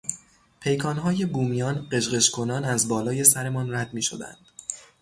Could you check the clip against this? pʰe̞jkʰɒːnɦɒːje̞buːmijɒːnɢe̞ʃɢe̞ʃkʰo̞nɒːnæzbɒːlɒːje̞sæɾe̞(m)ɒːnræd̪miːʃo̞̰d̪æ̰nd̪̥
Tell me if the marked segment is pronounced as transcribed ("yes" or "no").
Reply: yes